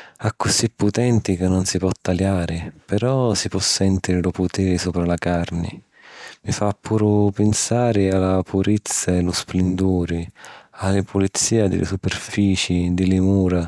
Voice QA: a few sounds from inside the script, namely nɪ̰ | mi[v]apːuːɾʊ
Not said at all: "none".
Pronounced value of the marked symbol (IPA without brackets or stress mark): f